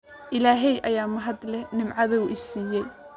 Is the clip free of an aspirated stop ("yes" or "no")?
yes